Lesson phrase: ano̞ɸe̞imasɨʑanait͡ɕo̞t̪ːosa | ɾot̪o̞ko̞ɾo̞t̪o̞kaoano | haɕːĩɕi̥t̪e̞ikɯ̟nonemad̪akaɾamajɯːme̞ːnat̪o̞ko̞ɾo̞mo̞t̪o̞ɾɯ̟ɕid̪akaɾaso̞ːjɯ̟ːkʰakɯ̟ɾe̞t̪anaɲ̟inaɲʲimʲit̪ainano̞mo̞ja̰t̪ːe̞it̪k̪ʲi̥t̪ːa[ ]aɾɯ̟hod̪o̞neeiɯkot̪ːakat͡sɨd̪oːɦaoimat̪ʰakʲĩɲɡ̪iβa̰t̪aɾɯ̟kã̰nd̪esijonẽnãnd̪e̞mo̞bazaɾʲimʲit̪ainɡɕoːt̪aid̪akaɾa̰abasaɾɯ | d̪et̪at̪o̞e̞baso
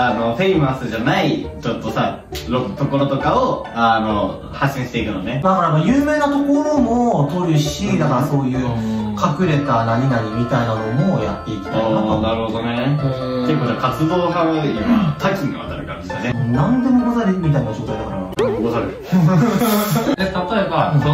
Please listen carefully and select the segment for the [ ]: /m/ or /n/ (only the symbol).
n